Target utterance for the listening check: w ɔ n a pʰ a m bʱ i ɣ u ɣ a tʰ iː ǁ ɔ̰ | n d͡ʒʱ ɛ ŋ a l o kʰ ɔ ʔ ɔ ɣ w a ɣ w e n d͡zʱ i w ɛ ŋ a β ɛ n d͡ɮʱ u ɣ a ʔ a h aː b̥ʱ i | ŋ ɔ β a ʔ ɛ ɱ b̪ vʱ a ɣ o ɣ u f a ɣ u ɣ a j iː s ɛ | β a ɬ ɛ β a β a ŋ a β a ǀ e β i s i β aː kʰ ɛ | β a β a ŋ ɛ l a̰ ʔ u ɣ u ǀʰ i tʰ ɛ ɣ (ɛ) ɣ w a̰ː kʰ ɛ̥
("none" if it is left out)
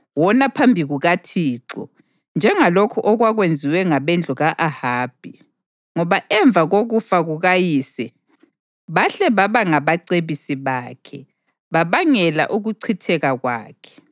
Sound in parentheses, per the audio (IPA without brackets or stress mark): a